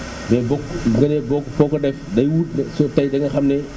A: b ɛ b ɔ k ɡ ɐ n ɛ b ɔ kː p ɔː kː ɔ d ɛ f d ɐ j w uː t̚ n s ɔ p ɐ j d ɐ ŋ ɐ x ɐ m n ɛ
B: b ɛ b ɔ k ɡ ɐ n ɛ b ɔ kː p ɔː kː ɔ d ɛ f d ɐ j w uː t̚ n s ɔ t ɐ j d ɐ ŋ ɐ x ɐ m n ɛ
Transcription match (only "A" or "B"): B